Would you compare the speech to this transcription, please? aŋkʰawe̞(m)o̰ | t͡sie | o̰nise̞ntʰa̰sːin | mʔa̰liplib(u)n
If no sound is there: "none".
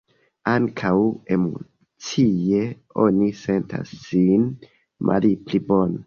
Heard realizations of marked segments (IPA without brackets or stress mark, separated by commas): m, o